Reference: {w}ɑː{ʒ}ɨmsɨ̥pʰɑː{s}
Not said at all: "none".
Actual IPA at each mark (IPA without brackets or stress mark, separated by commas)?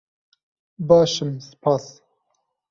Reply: b, ʃ, s